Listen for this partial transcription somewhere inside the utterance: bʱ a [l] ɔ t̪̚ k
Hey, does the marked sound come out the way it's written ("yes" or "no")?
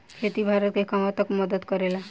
no